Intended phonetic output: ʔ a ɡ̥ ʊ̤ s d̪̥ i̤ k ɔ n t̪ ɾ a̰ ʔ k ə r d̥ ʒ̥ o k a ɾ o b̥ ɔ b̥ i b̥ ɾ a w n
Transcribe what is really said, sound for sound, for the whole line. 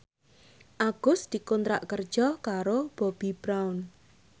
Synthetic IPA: ʔ a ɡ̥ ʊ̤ s d̪̥ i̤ k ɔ n t̪ ɾ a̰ ʔ k ə r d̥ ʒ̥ ɔ k a ɾ o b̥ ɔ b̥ i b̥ ɾ a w n